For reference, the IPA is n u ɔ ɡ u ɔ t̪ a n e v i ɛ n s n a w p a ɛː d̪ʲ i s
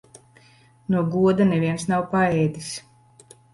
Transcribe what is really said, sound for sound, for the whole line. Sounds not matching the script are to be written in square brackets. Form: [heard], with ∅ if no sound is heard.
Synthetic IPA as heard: n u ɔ ɡ u ɔ [d̪] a n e v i ɛ n s n a w p a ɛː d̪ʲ i s